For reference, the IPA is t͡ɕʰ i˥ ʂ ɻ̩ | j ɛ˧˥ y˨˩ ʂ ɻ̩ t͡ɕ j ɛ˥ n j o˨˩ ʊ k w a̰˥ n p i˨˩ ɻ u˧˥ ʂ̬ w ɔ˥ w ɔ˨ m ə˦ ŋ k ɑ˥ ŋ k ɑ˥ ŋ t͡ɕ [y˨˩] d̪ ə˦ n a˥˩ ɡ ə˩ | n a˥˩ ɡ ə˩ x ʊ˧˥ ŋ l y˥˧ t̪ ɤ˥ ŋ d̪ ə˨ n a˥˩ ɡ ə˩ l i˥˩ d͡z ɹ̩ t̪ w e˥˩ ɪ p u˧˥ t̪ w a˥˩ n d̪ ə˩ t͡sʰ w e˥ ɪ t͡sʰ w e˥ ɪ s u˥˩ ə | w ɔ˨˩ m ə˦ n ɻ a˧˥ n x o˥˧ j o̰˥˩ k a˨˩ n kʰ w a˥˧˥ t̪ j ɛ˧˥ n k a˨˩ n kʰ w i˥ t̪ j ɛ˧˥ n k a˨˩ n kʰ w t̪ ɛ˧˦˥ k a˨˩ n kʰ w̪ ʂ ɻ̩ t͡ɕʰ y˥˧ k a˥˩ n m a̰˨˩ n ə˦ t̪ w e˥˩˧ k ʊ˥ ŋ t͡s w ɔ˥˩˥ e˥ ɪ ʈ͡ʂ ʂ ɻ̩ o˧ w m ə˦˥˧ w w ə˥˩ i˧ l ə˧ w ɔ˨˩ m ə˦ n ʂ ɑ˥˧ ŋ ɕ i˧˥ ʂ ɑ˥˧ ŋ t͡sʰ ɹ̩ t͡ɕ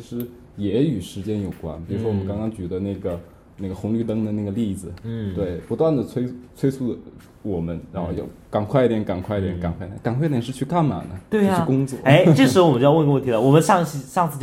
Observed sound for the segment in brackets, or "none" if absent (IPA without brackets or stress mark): y˨˩